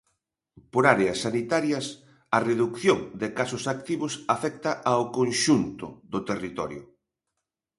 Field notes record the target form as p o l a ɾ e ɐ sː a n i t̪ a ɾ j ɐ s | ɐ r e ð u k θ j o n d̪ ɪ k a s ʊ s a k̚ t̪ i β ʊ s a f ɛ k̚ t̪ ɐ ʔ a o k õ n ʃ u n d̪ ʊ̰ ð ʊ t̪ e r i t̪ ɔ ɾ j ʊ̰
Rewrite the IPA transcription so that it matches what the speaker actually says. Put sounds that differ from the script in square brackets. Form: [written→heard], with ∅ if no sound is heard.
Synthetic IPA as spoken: p o [l→ɾ] a ɾ e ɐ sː a n i t̪ a ɾ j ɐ s | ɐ r e ð u k θ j o [n→ŋ] d̪ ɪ k a s ʊ s a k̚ t̪ i β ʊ s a f ɛ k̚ t̪ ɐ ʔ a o k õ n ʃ u n [d̪→t̪] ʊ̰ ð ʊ t̪ e r i t̪ ɔ ɾ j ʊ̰